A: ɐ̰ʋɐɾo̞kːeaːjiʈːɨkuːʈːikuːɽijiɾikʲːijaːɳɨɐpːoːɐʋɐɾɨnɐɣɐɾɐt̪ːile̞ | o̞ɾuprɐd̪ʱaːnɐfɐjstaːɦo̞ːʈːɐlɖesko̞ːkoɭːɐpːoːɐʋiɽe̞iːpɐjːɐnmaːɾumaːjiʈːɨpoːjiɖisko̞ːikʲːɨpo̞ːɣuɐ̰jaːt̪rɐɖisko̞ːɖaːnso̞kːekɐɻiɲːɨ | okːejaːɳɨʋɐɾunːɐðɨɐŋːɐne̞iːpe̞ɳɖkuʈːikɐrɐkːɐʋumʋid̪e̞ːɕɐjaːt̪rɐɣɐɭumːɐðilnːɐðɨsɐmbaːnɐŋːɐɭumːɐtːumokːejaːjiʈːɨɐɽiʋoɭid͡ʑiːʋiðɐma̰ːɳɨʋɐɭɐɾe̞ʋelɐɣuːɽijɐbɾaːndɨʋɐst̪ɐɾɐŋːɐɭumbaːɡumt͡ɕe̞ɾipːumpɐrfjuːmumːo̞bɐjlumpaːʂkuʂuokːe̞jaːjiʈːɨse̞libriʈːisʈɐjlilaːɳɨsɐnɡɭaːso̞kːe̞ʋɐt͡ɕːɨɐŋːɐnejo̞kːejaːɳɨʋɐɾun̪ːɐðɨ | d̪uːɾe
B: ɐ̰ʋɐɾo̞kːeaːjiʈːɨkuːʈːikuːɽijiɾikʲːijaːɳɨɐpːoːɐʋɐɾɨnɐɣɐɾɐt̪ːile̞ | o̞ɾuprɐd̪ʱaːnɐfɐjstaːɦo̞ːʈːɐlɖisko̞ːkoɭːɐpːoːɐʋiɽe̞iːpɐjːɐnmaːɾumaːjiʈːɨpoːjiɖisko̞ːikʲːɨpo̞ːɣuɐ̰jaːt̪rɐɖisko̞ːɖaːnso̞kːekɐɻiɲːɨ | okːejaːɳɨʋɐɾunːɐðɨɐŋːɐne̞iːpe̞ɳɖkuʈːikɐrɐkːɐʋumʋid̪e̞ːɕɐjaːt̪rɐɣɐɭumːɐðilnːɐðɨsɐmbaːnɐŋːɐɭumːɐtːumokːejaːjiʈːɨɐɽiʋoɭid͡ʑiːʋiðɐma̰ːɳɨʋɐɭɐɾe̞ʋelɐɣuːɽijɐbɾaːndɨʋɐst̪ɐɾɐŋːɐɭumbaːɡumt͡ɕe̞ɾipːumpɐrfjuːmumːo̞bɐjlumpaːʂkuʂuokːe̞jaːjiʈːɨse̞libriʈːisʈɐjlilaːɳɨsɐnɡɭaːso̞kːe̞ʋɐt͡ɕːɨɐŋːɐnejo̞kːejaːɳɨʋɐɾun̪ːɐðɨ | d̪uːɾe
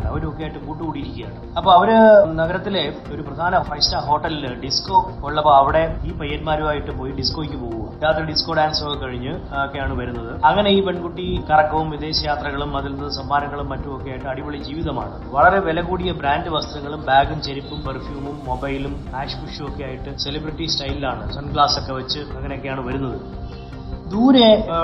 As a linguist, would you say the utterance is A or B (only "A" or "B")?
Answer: B